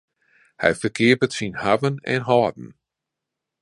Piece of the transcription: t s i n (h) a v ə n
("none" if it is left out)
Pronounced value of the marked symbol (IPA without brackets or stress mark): h